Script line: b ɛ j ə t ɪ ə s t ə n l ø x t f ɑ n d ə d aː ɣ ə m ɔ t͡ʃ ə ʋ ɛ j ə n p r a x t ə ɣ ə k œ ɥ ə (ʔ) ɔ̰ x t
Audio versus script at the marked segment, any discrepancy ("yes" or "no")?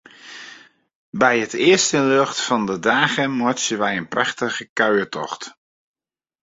yes